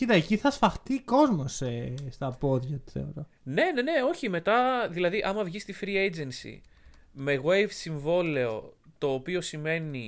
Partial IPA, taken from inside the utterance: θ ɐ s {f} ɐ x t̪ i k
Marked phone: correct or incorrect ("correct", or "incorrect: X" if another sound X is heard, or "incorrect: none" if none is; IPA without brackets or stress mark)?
correct